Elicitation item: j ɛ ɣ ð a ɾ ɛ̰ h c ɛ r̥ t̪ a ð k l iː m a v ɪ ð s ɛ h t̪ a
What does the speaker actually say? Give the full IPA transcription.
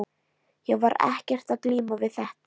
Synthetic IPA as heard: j ɛ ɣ v a ɾ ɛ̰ h c ɛ r̥ t̪ a ð k l iː m a v ɪ ð θ ɛ h t̪ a

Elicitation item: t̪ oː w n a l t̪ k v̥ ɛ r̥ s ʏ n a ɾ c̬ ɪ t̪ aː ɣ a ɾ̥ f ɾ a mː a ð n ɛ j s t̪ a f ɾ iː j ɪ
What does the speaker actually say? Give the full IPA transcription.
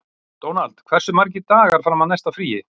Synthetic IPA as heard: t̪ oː w n a l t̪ kʰ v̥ ɛ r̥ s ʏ m a ɾ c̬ ɪ t̪ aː ɣ a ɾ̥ f ɾ a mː a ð n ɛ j s t̪ a f ɾ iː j ɪ

